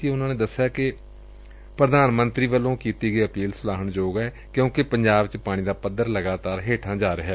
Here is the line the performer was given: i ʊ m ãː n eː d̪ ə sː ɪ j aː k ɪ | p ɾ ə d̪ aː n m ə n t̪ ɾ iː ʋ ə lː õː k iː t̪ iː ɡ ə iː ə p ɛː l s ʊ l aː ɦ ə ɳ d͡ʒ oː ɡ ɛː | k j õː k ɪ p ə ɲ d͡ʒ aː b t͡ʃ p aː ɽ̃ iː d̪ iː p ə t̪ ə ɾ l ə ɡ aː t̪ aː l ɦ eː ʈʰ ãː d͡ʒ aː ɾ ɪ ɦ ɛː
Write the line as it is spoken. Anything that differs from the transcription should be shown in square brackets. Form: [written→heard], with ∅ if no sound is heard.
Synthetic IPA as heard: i ʊ [m→n] ãː n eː d̪ ə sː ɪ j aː k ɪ | p ɾ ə d̪ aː n m ə n t̪ ɾ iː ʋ ə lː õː k iː t̪ iː ɡ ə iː ə p [ɛː→iː] l s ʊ l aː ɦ ə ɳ d͡ʒ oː ɡ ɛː | k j õː k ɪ p ə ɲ d͡ʒ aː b t͡ʃ p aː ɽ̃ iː d̪ [iː→aː] p ə [t̪→d̪] ə ɾ l ə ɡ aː t̪ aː [l→ɾ] ɦ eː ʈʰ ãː d͡ʒ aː ɾ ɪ ɦ ɛː